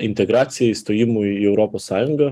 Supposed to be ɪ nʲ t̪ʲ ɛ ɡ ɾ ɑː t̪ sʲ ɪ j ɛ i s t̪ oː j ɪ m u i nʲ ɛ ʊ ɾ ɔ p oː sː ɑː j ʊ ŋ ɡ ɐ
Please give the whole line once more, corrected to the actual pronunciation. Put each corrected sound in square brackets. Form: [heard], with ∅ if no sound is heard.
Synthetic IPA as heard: ɪ nʲ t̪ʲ ɛ ɡ ɾ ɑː t̪ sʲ ɪ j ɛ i s t̪ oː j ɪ m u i [∅] ɛ ʊ ɾ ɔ p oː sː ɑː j ʊ ŋ ɡ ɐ